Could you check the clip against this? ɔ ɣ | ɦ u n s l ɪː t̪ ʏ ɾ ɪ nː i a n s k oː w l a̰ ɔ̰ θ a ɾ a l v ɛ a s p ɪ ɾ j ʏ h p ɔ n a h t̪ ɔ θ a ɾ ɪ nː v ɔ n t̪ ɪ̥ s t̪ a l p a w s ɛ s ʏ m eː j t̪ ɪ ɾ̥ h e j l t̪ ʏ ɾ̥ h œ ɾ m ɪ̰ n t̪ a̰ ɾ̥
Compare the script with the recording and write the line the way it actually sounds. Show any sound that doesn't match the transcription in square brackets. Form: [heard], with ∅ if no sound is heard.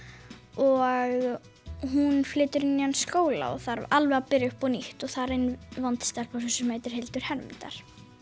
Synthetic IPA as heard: ɔ ɣ | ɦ u n [f] l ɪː t̪ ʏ ɾ ɪ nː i a n s k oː w l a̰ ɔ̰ θ a ɾ a l v ɛ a [∅] p ɪ ɾ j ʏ h p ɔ n [i] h t̪ ɔ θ a ɾ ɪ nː v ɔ n t̪ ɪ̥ s t̪ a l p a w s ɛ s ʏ m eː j t̪ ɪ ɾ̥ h e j l t̪ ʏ ɾ̥ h [ɛ] ɾ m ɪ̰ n t̪ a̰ ɾ̥

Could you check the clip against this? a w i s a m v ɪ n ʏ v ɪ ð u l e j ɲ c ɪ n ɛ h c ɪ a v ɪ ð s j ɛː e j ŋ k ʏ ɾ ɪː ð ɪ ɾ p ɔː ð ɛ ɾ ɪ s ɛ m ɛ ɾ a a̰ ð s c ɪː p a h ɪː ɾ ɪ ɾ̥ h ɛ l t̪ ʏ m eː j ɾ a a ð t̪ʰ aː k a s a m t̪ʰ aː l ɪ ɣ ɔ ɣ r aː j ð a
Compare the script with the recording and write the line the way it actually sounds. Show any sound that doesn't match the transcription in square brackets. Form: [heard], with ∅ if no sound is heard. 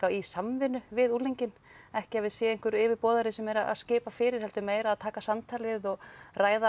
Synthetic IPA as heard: a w i s a m v ɪ n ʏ v ɪ ð u l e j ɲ c ɪ n ɛ h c ɪ a v ɪ ð s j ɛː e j ŋ k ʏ ɾ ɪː [v] ɪ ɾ p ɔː ð [a] ɾ ɪ s ɛ m ɛ ɾ a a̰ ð s c ɪː p a [f] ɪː ɾ ɪ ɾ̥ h ɛ l t̪ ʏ m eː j ɾ a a ð t̪ʰ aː k a s a m t̪ʰ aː l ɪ [ð] ɔ ɣ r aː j ð a

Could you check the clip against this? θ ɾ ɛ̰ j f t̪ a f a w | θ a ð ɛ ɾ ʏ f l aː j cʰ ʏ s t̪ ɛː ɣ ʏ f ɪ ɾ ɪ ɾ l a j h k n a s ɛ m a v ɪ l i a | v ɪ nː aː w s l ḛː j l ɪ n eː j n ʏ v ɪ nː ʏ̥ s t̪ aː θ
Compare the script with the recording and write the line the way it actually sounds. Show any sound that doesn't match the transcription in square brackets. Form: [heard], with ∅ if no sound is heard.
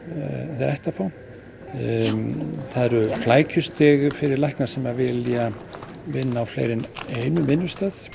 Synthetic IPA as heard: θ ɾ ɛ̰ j [h] t̪ a f a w | θ a ð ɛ ɾ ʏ f l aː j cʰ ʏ s t̪ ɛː ɣ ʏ f ɪ ɾ ɪ ɾ l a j h k n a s ɛ m a v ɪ l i a | v ɪ nː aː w [f] l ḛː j [ɾ] ɪ n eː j n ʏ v ɪ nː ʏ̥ s t̪ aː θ

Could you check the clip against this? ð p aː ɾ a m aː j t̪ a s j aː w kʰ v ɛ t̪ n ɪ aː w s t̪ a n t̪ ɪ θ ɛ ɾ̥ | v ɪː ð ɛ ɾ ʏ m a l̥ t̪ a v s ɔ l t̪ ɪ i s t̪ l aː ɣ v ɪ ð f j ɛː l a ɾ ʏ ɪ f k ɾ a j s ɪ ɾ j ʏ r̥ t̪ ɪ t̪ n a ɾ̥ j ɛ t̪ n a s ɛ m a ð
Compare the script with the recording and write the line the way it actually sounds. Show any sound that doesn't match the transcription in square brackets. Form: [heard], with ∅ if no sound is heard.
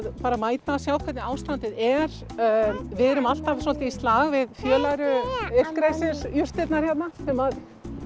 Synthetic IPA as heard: ð p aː ɾ a m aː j t̪ a s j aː w kʰ v ɛ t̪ n ɪ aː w s t̪ a n t̪ ɪ [ð] ɛ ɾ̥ | v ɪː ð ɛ ɾ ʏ m a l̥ t̪ a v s ɔ l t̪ ɪ i s t̪ l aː ɣ v ɪ ð f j [œː] l a ɾ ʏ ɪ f k ɾ a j s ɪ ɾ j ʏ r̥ t̪ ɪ t̪ n a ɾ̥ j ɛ t̪ n a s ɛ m a ð

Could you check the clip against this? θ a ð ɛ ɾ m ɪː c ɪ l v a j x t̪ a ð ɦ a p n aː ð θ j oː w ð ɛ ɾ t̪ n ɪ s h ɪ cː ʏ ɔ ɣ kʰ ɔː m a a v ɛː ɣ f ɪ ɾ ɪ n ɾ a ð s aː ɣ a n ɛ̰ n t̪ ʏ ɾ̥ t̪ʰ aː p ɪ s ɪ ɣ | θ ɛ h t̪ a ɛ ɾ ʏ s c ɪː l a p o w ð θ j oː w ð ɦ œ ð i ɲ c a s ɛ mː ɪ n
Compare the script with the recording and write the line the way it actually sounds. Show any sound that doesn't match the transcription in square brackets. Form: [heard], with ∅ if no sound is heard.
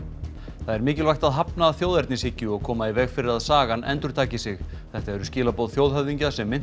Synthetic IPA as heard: θ a ð ɛ ɾ m ɪː c ɪ l v a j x t̪ a ð ɦ a p n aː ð θ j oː w ð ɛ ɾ t̪ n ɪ s h ɪ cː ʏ ɔ ɣ kʰ ɔː m a [i] v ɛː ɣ f ɪ ɾ ɪ [∅] ɾ a ð s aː ɣ a n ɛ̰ n t̪ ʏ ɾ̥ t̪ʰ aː [c] ɪ s ɪ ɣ | θ ɛ h t̪ a ɛ ɾ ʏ s c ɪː l a p o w ð θ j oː w ð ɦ œ ð i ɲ c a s ɛ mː ɪ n

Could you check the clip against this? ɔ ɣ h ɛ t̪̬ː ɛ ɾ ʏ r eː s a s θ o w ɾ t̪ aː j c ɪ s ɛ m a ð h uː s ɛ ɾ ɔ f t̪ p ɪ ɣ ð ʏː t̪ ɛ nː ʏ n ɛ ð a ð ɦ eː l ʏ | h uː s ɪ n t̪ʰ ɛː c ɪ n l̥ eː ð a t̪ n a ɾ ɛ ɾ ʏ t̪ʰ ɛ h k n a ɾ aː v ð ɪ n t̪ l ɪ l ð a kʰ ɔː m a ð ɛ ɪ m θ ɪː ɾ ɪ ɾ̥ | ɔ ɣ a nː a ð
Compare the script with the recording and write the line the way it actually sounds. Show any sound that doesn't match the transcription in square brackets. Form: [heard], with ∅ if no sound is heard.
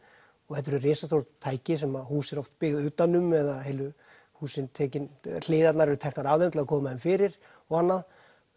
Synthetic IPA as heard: ɔ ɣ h ɛ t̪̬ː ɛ ɾ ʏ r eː s a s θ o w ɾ [t̪ʰ] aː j c ɪ s ɛ m a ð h uː s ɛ ɾ ɔ f t̪ p ɪ ɣ ð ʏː t̪ [a] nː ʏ [m] ɛ ð a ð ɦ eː l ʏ | h uː s ɪ n t̪ʰ ɛː c ɪ n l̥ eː ð a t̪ n a ɾ ɛ ɾ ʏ t̪ʰ ɛ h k n a ɾ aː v ð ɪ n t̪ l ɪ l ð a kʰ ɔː m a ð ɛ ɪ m [f] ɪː ɾ ɪ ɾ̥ | ɔ ɣ a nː a ð

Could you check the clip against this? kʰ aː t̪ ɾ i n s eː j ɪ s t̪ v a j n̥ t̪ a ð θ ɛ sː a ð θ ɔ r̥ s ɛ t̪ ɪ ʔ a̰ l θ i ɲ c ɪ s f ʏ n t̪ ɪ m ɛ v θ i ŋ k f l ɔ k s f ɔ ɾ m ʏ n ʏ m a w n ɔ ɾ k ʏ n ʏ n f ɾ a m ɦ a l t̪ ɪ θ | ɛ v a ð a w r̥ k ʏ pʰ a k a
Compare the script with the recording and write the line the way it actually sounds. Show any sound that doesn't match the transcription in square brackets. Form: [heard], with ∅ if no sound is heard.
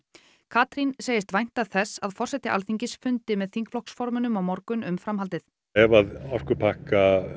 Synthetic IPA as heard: kʰ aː t̪ ɾ i n s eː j ɪ s t̪ v a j n̥ t̪ a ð θ ɛ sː a ð [f] ɔ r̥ s ɛ t̪ ɪ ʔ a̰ l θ i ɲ c ɪ s f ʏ n t̪ ɪ m ɛ [ð] θ i ŋ k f l ɔ k s f ɔ ɾ m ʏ n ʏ m a w [m] ɔ ɾ k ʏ n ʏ [m] f ɾ a m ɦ a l t̪ ɪ θ | ɛ v a ð a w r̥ k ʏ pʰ a k a

